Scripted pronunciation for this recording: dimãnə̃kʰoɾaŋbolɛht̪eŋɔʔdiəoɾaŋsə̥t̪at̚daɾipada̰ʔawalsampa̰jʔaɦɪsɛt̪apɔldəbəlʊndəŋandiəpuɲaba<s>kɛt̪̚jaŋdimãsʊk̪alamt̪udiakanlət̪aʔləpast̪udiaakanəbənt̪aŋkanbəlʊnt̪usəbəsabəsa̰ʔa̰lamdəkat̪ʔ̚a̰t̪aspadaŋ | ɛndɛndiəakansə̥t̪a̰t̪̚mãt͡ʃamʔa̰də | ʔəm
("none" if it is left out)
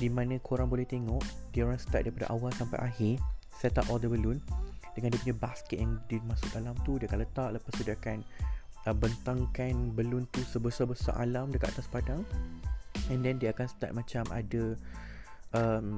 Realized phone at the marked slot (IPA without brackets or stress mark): s